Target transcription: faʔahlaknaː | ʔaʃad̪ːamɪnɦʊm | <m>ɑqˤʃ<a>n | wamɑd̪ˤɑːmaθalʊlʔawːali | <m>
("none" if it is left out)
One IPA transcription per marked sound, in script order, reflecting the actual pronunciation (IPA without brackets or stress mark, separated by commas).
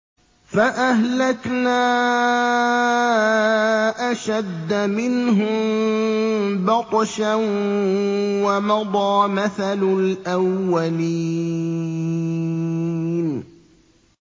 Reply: b, a, n